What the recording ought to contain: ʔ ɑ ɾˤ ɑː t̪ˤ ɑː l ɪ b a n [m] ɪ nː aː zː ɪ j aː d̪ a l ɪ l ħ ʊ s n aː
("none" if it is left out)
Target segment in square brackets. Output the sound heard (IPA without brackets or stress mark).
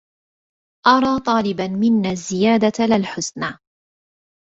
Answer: m